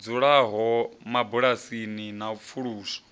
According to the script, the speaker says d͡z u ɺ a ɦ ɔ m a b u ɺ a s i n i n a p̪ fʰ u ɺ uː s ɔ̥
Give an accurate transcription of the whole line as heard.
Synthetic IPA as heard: d͡z u ɺ a ɦ ɔ m a b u ɺ a s i n i n a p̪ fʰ u ɺ uː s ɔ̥